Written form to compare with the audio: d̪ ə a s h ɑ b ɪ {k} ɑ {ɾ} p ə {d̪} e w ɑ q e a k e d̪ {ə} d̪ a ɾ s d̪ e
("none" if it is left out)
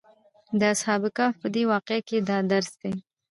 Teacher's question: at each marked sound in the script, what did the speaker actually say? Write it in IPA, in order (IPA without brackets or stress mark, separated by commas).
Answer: k, none, d̪, ɑ